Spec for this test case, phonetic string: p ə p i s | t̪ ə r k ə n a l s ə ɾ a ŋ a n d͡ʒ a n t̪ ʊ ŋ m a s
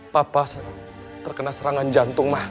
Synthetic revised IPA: p a p a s | t̪ ə r k ə n a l s ə ɾ a ŋ a n d͡ʒ a n t̪ ʊ ŋ m a h